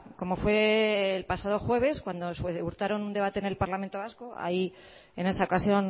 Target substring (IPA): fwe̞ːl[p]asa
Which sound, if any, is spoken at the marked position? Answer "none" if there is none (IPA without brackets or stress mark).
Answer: p